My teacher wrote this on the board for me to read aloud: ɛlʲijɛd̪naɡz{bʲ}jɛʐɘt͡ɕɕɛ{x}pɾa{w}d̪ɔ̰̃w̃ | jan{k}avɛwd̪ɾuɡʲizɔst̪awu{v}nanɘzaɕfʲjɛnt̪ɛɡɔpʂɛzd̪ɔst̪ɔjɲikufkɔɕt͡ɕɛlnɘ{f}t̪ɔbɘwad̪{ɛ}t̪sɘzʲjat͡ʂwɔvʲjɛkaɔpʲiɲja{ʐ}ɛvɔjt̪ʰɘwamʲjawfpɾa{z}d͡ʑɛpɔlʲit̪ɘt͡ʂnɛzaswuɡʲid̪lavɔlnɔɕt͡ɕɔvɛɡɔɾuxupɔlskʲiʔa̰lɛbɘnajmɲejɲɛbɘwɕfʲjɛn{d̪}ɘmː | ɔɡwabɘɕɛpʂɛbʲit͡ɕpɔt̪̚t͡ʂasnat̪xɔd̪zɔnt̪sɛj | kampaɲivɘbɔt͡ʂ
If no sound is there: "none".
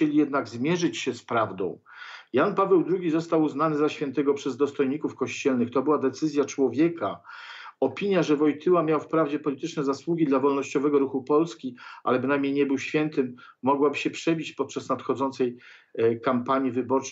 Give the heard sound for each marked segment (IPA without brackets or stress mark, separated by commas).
mʲ, s, v, p, z, x, ɛ, ʐ, v, t̪